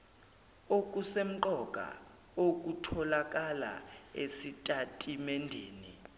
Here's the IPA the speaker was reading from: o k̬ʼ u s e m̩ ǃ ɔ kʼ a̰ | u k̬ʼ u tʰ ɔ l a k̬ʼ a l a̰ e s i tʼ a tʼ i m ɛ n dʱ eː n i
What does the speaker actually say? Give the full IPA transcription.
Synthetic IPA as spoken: o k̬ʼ u s e m̩ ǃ ɔ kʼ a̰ | o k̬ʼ u tʰ ɔ l a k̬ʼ a l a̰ e s i tʼ a tʼ i m ɛ n dʱ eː n i